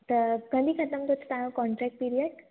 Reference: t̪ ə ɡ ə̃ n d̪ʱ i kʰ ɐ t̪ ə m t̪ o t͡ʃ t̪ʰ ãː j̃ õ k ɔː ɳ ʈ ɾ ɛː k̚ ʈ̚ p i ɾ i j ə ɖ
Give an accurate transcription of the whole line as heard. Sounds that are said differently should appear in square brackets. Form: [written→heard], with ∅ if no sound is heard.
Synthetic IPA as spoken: t̪ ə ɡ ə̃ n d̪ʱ i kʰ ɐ t̪ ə m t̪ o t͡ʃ [t̪ʰ→t̪] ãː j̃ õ k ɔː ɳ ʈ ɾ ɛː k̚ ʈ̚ p i ɾ i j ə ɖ